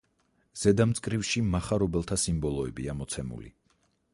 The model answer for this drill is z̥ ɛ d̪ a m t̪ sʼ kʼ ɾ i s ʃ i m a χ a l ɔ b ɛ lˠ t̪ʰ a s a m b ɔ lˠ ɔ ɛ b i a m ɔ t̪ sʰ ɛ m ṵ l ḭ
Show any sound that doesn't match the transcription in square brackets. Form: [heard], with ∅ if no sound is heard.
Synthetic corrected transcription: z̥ ɛ d̪ a m t̪ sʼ kʼ ɾ i [f] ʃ i m a χ a [ɾ] ɔ b ɛ lˠ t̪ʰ a s [i] m b ɔ lˠ ɔ ɛ b i a m ɔ t̪ sʰ ɛ m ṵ l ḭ